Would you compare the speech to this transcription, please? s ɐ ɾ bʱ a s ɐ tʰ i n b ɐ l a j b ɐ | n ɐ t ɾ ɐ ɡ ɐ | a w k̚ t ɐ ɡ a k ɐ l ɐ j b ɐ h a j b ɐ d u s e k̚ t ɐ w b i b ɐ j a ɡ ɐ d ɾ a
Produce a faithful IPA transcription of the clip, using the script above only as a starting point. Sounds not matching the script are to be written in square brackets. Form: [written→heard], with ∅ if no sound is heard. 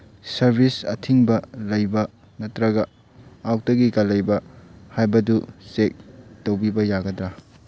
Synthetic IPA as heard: s ɐ ɾ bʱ [a→i] s ɐ tʰ i [n→ŋ] b ɐ l [a→ɐ] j b ɐ | n ɐ t ɾ ɐ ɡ ɐ | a w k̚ t ɐ ɡ [a→i] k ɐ l ɐ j b ɐ h a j b ɐ d u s e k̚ t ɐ w b i b ɐ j a ɡ ɐ d ɾ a